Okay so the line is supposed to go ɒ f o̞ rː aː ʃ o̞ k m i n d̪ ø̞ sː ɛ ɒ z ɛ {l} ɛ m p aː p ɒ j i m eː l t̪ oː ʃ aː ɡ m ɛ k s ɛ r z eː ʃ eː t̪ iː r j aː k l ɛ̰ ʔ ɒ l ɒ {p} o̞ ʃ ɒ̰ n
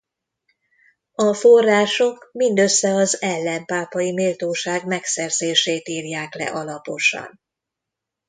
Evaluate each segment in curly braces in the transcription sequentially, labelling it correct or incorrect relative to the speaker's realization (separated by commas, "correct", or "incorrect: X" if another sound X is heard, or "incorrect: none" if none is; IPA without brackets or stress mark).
incorrect: lː, correct